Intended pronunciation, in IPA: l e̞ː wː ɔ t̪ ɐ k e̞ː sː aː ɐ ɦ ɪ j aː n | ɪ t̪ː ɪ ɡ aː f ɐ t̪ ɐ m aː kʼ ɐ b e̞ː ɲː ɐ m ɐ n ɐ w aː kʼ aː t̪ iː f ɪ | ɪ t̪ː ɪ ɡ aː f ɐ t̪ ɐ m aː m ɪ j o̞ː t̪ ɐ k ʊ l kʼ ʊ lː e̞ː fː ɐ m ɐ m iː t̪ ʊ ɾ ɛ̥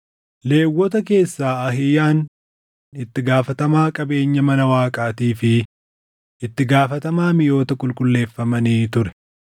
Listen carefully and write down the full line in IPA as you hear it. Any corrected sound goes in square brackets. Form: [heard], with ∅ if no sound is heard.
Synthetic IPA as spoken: l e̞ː wː ɔ t̪ ɐ k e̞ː sː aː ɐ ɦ ɪ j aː n | ɪ t̪ː ɪ ɡ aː f ɐ t̪ ɐ m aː kʼ ɐ b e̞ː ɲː ɐ m ɐ n ɐ w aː kʼ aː t̪ iː f ɪ | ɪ t̪ː ɪ ɡ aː f ɐ t̪ ɐ m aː m ɪ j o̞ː t̪ ɐ k ʊ l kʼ ʊ lː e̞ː fː ɐ m ɐ [n] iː t̪ ʊ ɾ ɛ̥

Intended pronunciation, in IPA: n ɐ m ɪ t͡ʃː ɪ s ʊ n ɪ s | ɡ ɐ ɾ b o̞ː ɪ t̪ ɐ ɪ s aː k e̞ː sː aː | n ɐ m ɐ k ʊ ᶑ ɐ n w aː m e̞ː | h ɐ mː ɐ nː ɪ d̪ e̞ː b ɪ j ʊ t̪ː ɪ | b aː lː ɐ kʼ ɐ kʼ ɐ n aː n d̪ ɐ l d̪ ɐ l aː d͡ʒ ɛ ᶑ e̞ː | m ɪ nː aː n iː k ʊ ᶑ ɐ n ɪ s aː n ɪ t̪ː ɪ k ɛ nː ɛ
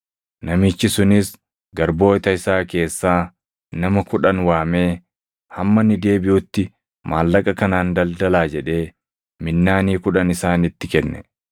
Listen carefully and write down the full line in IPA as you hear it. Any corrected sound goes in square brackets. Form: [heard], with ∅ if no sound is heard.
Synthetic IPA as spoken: n ɐ m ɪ t͡ʃː ɪ s ʊ n ɪ s | ɡ ɐ ɾ b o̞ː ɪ t̪ ɐ ɪ s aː k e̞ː sː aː | n ɐ m ɐ k ʊ ᶑ ɐ n w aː m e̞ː | h ɐ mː ɐ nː ɪ d̪ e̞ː b ɪ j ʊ t̪ː ɪ | [m] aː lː ɐ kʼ ɐ [k] ɐ n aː n d̪ ɐ l d̪ ɐ l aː d͡ʒ ɛ ᶑ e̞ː | m ɪ nː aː n iː k ʊ ᶑ ɐ n ɪ s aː n ɪ t̪ː ɪ k ɛ nː ɛ

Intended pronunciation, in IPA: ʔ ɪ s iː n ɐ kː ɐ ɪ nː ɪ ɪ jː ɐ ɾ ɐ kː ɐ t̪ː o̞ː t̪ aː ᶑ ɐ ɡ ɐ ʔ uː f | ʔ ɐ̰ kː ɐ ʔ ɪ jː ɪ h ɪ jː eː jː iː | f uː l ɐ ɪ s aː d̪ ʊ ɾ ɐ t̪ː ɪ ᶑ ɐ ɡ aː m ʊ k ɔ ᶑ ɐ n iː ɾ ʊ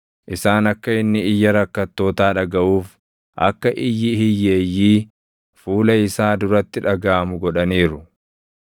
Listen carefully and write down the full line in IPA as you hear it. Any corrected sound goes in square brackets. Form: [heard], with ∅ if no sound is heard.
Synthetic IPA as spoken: ʔ ɪ s [aː] n ɐ kː ɐ ɪ nː ɪ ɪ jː ɐ ɾ ɐ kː ɐ t̪ː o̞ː t̪ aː ᶑ ɐ ɡ ɐ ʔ uː f | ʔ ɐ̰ kː ɐ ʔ ɪ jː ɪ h ɪ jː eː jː iː | f uː l ɐ ɪ s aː d̪ ʊ ɾ ɐ t̪ː ɪ ᶑ ɐ ɡ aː m ʊ [ɡ] ɔ ᶑ ɐ n iː ɾ ʊ

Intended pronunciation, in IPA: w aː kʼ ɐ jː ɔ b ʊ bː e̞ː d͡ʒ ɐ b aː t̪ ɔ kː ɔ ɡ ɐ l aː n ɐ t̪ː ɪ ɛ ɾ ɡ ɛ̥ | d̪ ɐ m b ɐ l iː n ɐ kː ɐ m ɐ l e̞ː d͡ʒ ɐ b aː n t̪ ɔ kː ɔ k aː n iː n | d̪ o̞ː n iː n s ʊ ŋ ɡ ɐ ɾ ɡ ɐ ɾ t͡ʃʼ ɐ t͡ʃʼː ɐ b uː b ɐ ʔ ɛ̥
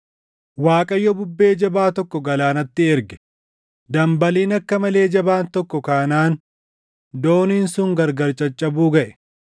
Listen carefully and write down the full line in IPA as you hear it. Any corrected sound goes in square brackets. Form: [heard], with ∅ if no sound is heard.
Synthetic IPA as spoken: w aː kʼ ɐ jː ɔ b ʊ bː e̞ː d͡ʒ ɐ b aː t̪ ɔ kː ɔ ɡ ɐ l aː n ɐ t̪ː ɪ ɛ ɾ ɡ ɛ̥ | d̪ ɐ m b ɐ l iː n ɐ kː ɐ m ɐ l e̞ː d͡ʒ ɐ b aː n t̪ ɔ kː ɔ k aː n [aː] n | d̪ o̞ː n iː n s ʊ ŋ ɡ ɐ ɾ ɡ ɐ ɾ t͡ʃʼ ɐ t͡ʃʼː ɐ b uː [ɡ] ɐ ʔ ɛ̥

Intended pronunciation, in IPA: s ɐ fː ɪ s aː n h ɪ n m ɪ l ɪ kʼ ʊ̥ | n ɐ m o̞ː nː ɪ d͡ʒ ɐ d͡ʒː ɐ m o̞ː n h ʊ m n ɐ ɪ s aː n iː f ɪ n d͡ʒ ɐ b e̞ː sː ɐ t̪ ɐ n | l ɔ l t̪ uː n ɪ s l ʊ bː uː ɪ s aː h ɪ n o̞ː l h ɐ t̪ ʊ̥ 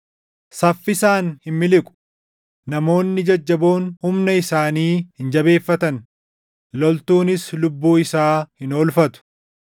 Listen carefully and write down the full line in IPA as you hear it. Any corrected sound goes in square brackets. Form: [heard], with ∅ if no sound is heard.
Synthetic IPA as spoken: s ɐ fː ɪ s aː n h ɪ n m ɪ l ɪ kʼ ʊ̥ | n ɐ m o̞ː nː ɪ d͡ʒ ɐ d͡ʒː ɐ [b] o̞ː n h ʊ m n ɐ ɪ s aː n iː [h] ɪ n d͡ʒ ɐ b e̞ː [fː] ɐ t̪ ɐ n | l ɔ l t̪ uː n ɪ s l ʊ bː uː ɪ s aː h ɪ n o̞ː l [f] ɐ t̪ ʊ̥

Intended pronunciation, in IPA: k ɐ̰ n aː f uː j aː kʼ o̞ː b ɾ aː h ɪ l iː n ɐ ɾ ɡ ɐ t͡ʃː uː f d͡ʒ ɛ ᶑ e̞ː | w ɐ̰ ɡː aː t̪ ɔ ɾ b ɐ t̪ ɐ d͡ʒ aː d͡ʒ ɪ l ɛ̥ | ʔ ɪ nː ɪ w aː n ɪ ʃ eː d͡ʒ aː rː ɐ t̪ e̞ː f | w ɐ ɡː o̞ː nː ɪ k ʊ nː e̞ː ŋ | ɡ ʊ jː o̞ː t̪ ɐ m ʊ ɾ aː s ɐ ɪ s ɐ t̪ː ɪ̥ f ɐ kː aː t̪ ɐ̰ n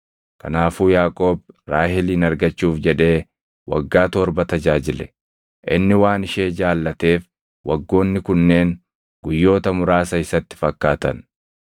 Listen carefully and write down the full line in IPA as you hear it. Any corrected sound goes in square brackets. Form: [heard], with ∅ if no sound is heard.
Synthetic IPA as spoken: k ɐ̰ n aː f uː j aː kʼ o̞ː b ɾ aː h ɪ l iː n ɐ ɾ ɡ ɐ t͡ʃː uː f d͡ʒ ɛ ᶑ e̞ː | w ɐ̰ ɡː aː t̪ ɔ ɾ b ɐ t̪ ɐ d͡ʒ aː d͡ʒ ɪ l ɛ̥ | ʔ ɪ nː ɪ w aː n ɪ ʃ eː d͡ʒ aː [lː] ɐ t̪ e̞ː f | w ɐ ɡː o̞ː nː ɪ k ʊ nː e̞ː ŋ | ɡ ʊ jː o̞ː t̪ ɐ m ʊ ɾ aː s ɐ ɪ s ɐ t̪ː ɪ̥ f ɐ kː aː t̪ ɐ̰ n

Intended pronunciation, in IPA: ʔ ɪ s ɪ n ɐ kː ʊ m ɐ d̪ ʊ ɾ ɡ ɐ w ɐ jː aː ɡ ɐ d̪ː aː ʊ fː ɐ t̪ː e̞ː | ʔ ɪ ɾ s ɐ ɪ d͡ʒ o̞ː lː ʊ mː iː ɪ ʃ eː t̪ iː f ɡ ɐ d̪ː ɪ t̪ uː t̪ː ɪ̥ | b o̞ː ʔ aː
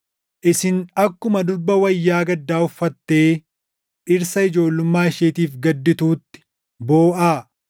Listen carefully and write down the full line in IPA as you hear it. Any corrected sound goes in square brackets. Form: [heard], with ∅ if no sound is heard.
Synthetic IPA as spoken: ʔ ɪ s ɪ n ɐ kː ʊ m ɐ d̪ ʊ ɾ [b] ɐ w ɐ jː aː ɡ ɐ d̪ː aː ʊ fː ɐ t̪ː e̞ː | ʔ ɪ ɾ s ɐ ɪ d͡ʒ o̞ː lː ʊ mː [aː] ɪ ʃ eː t̪ iː f ɡ ɐ d̪ː ɪ t̪ uː t̪ː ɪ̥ | b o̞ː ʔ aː

